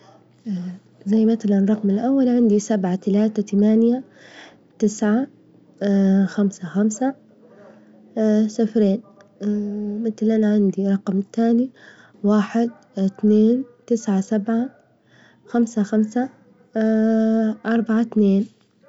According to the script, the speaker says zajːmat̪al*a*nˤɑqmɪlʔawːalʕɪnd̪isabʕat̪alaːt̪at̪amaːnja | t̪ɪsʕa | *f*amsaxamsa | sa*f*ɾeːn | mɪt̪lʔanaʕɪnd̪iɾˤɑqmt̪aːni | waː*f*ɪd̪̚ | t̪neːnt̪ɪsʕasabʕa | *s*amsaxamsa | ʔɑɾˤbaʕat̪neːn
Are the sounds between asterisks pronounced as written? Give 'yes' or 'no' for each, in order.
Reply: yes, no, yes, no, no

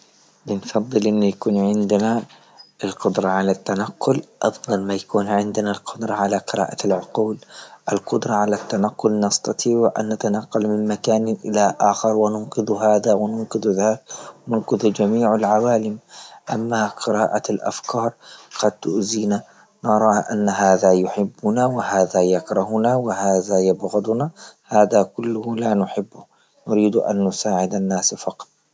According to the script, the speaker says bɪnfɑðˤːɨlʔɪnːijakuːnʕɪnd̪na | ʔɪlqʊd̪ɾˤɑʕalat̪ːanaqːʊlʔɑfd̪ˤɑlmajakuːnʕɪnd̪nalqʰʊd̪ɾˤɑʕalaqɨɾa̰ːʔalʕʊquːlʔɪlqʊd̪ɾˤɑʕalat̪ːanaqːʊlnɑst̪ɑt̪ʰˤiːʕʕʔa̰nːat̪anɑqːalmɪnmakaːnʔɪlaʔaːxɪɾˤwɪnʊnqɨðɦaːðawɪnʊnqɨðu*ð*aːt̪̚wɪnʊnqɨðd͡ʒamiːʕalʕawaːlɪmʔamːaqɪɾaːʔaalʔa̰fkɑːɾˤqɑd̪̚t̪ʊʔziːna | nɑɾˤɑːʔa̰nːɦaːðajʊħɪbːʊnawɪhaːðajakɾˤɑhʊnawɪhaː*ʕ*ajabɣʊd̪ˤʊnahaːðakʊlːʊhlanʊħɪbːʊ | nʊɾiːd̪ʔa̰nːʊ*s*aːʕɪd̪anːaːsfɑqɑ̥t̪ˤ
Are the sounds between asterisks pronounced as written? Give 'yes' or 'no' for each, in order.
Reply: yes, no, yes

